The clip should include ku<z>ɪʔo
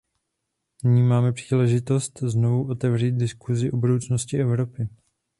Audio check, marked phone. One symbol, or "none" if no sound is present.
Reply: z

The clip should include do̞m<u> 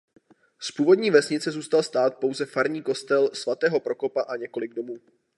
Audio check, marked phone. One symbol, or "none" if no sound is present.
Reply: uː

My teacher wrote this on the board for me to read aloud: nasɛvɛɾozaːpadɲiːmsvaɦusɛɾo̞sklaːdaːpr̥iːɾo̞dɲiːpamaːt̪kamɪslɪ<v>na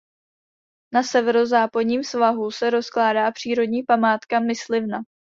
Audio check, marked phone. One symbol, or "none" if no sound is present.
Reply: v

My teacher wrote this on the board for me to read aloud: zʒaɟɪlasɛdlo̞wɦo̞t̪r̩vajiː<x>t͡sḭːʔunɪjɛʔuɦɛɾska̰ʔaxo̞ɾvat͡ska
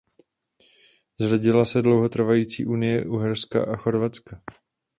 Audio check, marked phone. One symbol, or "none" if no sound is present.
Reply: none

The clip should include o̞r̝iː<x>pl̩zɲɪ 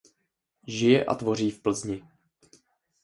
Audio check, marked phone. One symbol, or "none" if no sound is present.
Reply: f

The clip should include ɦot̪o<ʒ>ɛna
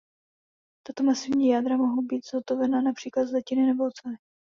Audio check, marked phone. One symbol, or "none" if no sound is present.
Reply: v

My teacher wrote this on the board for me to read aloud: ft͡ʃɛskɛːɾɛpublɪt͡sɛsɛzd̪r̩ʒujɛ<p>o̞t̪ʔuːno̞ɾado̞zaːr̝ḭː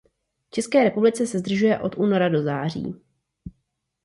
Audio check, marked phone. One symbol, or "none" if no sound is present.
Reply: ʔ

